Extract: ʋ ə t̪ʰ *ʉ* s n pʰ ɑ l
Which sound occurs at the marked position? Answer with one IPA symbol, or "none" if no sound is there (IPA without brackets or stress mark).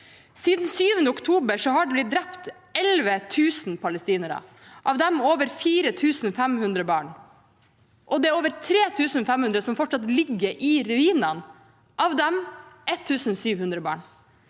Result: ʉː